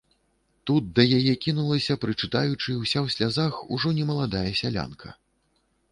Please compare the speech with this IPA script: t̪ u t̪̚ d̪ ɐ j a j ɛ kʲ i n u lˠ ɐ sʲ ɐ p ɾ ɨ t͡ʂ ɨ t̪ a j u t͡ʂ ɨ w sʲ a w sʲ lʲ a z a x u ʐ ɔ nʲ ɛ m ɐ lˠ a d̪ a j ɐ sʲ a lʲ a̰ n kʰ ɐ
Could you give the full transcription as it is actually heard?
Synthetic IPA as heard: t̪ u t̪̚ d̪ ɐ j a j ɛ kʲ i n u lˠ ɐ sʲ ɐ p ɾ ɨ t͡ʂ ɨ t̪ a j u t͡ʂ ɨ w sʲ a w sʲ lʲ a z a x u ʐ ɔ nʲ ɛ m ɐ lˠ a d̪ a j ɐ sʲ a lʲ a̰ n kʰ ɐ

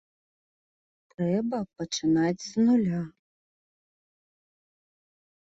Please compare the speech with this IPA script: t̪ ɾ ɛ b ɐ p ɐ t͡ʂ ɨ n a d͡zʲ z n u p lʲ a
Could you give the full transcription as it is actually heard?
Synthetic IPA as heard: t̪ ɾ ɛ b ɐ p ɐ t͡ʂ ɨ n a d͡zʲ z n u lʲ a

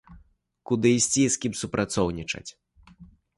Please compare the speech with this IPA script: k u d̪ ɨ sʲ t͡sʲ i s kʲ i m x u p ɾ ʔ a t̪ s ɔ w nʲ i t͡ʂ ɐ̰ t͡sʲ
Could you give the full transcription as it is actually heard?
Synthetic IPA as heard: k u d̪ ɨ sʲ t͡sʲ i s kʲ i m s u p ɾ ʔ a t̪ s ɔ w nʲ i t͡ʂ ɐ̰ t͡sʲ

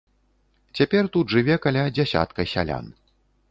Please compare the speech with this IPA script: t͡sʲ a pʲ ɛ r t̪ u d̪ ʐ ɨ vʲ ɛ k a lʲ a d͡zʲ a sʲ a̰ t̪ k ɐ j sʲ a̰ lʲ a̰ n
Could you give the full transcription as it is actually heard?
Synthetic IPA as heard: t͡sʲ a pʲ ɛ r t̪ u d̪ ʐ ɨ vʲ ɛ k a lʲ a d͡zʲ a sʲ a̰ t̪ k ɐ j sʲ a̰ lʲ a̰ n

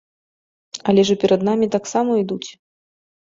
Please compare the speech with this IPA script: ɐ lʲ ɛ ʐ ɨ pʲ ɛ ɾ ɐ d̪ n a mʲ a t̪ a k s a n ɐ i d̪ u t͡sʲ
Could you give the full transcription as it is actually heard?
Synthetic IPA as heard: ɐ lʲ ɛ ʐ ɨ pʲ ɛ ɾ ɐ d̪ n a mʲ i t̪ a k s a m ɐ i d̪ u t͡sʲ

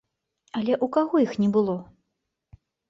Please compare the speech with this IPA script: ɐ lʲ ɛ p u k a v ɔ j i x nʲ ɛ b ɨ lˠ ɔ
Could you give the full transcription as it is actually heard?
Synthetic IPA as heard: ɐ lʲ ɛ ʔ u k a ɣ ɔ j i x nʲ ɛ b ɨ lˠ ɔ

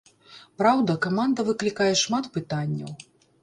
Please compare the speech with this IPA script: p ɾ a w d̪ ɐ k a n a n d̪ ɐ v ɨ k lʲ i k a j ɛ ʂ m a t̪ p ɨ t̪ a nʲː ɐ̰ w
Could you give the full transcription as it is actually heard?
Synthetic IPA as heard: p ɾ a w d̪ ɐ k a m a n d̪ ɐ v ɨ k lʲ i k a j ɛ ʂ m a t̪ p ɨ t̪ a nʲː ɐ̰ w

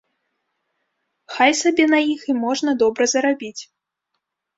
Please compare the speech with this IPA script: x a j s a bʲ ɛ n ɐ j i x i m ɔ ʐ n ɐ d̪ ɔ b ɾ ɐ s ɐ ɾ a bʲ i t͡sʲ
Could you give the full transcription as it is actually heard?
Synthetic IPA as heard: x a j s a bʲ ɛ n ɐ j i x i m ɔ ʐ n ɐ d̪ ɔ b ɾ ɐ z ɐ ɾ a bʲ i t͡sʲ

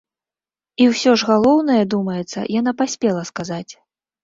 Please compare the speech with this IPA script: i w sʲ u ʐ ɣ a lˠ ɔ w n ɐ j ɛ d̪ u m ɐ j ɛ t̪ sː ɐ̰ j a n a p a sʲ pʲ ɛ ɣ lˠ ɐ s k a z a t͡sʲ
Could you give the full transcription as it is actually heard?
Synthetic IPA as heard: i w sʲ ɔ ʐ ɣ a lˠ ɔ w n ɐ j ɛ d̪ u m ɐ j ɛ t̪ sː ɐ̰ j a n a p a sʲ pʲ ɛ lˠ ɐ s k a z a t͡sʲ

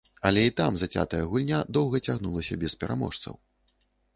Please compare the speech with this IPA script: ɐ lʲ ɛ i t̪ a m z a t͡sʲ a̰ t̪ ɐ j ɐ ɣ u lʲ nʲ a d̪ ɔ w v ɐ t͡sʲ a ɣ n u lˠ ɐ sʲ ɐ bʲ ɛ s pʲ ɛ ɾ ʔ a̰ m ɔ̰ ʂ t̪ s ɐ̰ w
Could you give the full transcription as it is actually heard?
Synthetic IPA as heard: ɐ lʲ ɛ i t̪ a m z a t͡sʲ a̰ t̪ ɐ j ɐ ɣ u lʲ nʲ a d̪ ɔ w ɣ ɐ t͡sʲ a ɣ n u lˠ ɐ sʲ ɐ bʲ ɛ s pʲ ɛ ɾ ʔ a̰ m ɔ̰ ʂ t̪ s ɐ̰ w

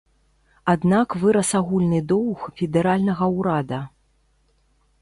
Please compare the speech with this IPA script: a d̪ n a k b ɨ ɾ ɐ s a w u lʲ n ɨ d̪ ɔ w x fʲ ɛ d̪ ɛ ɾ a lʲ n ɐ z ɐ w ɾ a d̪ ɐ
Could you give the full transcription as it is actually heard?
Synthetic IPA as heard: a d̪ n a k v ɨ ɾ ɐ s a ɣ u lʲ n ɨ d̪ ɔ w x fʲ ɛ d̪ ɛ ɾ a lʲ n ɐ ɣ ɐ w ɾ a d̪ ɐ

